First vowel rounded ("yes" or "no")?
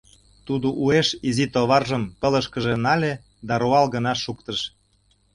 yes